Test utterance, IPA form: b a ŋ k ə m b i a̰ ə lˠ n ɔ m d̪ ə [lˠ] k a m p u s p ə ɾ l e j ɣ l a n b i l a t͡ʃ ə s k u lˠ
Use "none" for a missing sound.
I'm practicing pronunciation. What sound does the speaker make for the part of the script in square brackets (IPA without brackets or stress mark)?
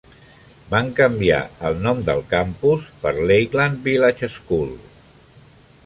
lˠ